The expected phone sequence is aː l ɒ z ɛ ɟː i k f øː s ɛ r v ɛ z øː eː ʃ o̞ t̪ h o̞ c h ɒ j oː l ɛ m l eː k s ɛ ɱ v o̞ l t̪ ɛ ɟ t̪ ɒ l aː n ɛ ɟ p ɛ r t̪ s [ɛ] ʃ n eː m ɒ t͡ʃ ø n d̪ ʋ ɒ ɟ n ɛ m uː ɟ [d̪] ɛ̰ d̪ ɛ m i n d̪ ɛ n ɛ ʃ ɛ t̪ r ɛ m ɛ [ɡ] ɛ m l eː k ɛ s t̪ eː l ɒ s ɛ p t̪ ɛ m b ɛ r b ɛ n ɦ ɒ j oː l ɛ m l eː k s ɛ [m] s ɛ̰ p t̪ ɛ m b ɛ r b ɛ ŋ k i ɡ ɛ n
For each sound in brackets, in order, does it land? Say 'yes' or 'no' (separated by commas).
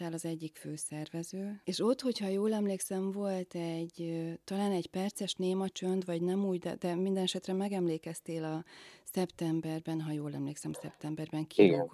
yes, yes, yes, yes